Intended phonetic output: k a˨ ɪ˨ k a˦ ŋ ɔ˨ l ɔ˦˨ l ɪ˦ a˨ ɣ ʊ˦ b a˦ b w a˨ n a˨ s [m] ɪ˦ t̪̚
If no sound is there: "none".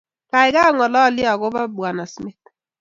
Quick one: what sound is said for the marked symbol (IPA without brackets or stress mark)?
m